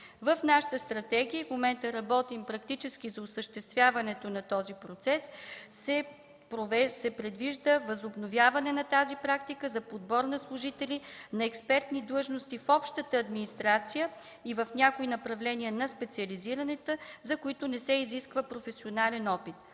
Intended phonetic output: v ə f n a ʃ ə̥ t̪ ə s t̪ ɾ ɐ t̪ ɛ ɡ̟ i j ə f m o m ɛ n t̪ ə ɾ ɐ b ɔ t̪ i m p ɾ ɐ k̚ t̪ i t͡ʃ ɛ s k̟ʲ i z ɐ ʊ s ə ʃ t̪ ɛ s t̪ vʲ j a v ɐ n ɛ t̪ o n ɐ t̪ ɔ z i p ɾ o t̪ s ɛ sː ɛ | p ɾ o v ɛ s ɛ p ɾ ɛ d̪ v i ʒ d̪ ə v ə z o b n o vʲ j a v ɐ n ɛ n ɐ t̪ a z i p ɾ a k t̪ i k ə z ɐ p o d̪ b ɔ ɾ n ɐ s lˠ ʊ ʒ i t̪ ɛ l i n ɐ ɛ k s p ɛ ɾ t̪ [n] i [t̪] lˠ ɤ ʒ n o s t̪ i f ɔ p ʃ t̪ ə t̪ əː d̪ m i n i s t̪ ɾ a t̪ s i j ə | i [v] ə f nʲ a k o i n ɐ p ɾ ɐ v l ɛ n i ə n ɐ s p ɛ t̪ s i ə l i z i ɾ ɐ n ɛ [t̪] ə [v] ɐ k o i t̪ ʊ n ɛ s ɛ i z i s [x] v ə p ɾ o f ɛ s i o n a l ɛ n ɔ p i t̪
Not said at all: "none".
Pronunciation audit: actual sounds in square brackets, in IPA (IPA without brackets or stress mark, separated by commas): n, d̪, v, t̪, z, k